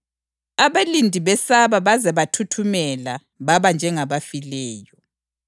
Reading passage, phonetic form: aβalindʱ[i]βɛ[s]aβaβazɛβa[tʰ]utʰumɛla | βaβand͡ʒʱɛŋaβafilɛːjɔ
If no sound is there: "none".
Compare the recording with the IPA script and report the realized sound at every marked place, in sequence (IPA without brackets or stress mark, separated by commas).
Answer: i, s, tʰ